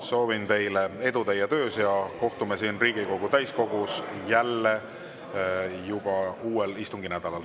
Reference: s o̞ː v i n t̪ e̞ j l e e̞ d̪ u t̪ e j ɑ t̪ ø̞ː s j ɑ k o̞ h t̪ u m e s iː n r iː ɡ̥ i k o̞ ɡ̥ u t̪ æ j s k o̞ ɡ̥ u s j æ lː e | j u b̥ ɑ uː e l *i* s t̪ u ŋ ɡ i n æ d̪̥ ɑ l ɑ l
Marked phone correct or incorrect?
correct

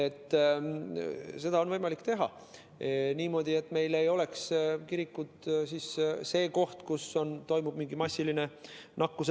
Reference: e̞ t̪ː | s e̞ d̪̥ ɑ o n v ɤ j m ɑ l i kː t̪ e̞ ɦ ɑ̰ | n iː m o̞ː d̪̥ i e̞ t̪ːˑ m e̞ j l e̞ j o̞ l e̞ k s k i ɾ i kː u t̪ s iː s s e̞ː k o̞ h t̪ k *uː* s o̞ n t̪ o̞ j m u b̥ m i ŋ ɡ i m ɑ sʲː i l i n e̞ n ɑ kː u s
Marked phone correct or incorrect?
incorrect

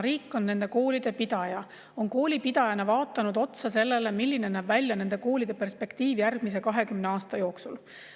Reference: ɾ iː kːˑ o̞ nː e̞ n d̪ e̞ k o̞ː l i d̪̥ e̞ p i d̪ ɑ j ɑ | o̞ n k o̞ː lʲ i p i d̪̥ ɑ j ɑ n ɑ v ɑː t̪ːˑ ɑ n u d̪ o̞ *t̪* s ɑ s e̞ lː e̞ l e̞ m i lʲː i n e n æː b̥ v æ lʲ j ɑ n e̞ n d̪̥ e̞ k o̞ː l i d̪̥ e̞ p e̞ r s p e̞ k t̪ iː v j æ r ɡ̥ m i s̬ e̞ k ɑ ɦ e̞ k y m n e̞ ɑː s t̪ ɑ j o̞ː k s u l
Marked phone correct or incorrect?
correct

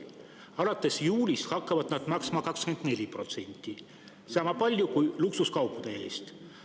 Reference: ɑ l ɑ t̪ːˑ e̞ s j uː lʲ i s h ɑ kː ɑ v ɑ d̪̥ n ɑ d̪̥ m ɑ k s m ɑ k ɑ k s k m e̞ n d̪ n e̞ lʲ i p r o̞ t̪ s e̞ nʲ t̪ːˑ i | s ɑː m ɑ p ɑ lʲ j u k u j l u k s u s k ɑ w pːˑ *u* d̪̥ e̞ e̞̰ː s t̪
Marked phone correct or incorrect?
correct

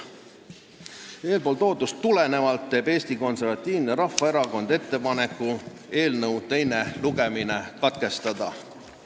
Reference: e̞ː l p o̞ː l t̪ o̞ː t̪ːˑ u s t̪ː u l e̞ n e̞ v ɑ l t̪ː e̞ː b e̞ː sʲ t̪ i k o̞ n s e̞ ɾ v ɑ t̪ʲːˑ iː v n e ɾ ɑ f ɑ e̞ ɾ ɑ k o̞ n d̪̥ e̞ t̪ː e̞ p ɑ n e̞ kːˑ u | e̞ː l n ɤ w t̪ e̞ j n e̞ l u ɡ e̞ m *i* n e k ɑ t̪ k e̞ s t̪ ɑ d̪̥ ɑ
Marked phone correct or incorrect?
correct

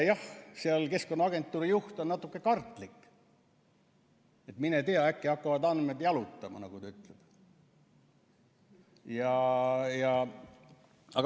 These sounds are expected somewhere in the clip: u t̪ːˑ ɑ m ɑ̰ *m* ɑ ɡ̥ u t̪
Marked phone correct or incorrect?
incorrect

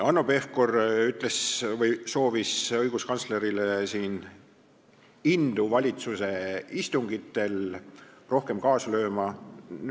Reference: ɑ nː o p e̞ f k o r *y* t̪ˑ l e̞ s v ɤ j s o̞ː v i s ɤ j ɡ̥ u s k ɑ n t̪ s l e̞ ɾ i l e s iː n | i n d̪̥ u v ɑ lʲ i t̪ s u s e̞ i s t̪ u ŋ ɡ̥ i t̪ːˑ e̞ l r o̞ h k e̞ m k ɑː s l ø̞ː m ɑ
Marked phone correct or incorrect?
correct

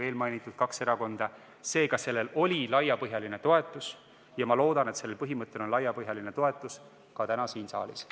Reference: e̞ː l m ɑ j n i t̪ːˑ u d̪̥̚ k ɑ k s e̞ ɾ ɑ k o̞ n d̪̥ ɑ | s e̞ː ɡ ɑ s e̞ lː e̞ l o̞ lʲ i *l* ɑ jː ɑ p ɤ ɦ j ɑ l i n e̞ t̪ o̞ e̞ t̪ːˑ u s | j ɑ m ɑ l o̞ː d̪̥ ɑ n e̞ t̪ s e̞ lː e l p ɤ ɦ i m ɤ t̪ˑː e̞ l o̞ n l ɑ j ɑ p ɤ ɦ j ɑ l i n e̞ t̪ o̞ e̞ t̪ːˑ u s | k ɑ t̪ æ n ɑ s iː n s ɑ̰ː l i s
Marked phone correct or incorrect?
correct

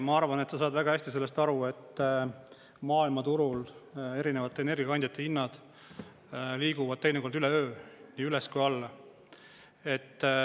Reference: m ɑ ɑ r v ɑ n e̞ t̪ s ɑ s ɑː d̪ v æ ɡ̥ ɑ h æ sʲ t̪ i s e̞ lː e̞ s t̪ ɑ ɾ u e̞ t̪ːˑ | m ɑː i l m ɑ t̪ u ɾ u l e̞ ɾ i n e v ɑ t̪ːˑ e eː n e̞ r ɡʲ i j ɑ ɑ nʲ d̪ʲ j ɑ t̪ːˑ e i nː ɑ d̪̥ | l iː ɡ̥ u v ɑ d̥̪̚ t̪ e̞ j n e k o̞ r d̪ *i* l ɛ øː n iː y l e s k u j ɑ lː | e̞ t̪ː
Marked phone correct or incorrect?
incorrect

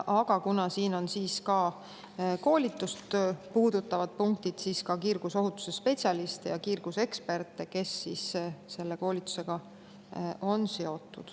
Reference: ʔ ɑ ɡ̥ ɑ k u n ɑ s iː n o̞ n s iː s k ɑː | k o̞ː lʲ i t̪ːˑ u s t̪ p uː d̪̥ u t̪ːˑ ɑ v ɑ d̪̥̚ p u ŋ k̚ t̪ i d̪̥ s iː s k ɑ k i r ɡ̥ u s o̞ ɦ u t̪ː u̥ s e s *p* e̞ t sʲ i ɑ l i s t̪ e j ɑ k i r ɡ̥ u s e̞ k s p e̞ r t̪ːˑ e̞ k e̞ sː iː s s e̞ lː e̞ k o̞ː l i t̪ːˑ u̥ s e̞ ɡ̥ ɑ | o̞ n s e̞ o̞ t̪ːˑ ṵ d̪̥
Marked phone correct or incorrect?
correct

